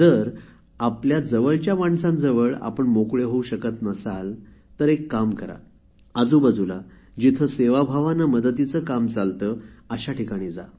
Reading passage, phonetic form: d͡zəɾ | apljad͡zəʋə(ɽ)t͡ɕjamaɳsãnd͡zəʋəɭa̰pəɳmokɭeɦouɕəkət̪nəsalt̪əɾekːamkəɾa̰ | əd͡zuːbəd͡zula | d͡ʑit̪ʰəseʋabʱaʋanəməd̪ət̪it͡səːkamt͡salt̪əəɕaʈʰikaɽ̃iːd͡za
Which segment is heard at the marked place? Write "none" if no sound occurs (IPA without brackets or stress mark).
ɭ